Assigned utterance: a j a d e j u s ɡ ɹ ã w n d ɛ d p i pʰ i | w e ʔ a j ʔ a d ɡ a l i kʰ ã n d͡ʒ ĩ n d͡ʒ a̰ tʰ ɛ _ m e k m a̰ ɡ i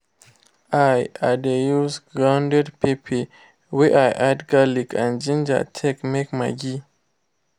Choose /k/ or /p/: k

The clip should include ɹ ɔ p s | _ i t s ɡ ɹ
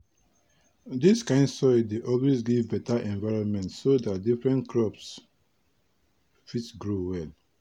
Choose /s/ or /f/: f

